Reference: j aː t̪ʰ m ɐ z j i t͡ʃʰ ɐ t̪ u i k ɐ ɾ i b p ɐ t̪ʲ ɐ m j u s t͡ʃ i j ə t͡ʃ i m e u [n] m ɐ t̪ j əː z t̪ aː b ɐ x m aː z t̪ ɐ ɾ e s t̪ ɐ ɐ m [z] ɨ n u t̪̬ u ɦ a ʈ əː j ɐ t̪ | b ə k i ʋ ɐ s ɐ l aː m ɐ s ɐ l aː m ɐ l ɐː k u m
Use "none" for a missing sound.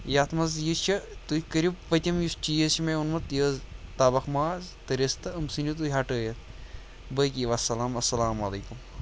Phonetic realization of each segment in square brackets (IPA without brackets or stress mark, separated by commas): n, s